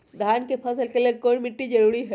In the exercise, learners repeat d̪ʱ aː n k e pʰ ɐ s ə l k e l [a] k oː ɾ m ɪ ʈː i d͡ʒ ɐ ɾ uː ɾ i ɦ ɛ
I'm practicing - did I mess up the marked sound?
yes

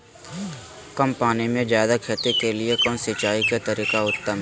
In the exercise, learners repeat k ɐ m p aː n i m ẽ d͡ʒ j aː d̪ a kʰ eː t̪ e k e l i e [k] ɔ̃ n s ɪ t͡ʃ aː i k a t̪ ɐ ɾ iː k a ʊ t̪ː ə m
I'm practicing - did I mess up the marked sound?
no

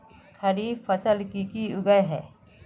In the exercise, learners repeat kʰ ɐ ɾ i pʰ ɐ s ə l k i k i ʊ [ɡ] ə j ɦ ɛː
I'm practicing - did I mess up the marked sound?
no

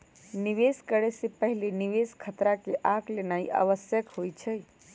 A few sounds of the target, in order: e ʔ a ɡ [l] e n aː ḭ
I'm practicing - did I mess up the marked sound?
no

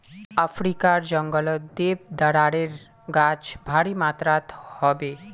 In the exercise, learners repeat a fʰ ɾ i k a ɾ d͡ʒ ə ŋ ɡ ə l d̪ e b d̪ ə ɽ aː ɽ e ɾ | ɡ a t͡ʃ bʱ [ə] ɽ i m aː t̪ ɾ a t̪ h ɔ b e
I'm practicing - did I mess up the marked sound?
yes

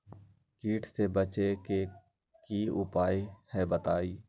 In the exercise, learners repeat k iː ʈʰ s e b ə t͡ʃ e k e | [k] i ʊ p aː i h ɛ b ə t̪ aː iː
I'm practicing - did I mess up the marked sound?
no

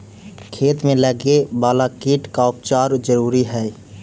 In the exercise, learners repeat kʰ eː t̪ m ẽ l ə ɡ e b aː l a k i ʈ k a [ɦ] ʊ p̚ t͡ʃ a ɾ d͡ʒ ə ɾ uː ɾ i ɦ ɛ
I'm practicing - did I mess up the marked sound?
yes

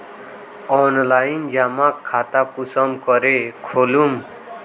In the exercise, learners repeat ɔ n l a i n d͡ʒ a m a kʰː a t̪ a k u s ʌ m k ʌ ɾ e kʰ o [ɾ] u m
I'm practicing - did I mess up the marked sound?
yes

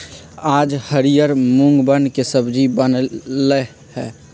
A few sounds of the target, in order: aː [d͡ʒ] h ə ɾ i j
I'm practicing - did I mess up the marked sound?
no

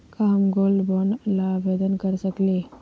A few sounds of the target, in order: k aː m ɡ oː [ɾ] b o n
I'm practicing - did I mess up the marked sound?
yes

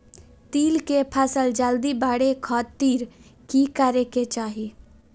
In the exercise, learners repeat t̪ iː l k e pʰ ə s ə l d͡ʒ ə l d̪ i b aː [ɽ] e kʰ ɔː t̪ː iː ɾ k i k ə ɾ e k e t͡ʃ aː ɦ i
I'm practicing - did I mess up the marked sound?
no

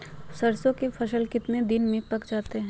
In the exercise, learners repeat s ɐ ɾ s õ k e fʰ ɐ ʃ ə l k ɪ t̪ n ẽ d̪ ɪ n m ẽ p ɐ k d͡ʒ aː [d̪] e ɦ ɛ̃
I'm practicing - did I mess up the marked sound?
yes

